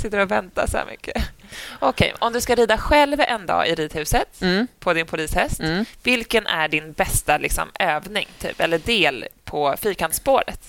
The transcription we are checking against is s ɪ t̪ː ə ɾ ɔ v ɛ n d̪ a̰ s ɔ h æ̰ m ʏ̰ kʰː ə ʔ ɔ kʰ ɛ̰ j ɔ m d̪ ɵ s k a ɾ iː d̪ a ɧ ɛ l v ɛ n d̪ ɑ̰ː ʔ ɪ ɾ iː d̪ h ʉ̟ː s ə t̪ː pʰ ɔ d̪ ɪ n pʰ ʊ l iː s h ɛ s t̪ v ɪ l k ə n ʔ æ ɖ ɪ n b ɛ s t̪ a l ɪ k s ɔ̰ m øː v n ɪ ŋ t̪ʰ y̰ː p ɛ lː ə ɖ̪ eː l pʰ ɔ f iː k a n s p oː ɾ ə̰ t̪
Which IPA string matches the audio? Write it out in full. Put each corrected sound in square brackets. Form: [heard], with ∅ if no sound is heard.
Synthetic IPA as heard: s ɪ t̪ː ə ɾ ɔ v ɛ n [t̪] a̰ s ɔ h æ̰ m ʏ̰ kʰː ə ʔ ɔ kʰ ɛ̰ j ɔ m d̪ ɵ s k a ɾ iː d̪ a ɧ ɛ l v ɛ n d̪ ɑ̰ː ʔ ɪ ɾ iː d̪ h ʉ̟ː s ə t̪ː pʰ ɔ d̪ ɪ n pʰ ʊ l iː s h ɛ s t̪ v ɪ l k ə n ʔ æ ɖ ɪ n b ɛ s t̪ a l ɪ k s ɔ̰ m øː v n ɪ ŋ t̪ʰ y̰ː p ɛ lː ə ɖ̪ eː l pʰ ɔ f iː k a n s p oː ɾ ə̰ t̪